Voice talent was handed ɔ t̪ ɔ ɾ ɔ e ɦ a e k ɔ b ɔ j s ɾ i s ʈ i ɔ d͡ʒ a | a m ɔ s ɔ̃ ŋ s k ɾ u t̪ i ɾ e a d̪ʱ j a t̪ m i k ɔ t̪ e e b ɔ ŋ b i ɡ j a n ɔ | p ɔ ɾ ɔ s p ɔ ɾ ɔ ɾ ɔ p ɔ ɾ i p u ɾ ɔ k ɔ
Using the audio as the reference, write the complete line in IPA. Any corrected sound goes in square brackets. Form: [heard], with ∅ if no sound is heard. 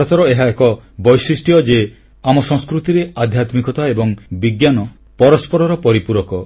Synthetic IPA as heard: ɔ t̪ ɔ ɾ ɔ e ɦ a e k ɔ b ɔ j s ɾ i s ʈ i ɔ d͡ʒ [e] | a m ɔ s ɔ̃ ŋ s k ɾ u t̪ i ɾ e a d̪ʱ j a t̪ m i k ɔ t̪ [a] e b ɔ ŋ b i ɡ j a n ɔ | p ɔ ɾ ɔ s p ɔ ɾ ɔ ɾ ɔ p ɔ ɾ i p u ɾ ɔ k ɔ